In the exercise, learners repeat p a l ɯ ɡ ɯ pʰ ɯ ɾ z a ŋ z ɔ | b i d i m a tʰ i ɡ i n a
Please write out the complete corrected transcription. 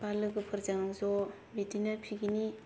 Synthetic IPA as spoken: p a l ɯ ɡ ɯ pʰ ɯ ɾ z a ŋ z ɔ | b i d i n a pʰ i ɡ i n i